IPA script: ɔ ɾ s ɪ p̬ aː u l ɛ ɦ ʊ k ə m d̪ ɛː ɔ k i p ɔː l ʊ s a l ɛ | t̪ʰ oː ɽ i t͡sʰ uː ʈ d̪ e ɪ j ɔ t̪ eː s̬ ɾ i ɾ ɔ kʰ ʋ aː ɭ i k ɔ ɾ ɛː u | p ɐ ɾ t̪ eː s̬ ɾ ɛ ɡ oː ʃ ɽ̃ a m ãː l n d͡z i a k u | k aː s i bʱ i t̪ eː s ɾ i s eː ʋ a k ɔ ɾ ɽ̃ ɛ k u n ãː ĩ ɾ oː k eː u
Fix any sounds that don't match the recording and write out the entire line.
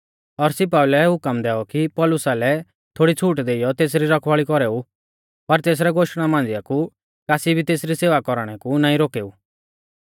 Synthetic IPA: ɔ ɾ s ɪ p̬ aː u l ɛ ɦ ʊ k ə m d̪ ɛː ɔ k i p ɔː l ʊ s a l ɛ | t̪ʰ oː ɽ i t͡sʰ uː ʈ d̪ e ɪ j ɔ t̪ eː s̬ ɾ i ɾ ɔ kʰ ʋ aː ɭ i k ɔ ɾ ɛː u | p ɐ ɾ t̪ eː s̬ ɾ ɛ ɡ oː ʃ ɽ̃ a m ãː n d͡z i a k u | k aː s i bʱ i t̪ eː s ɾ i s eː ʋ a k ɔ ɾ ɽ̃ ɛ k u n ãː ĩ ɾ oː k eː u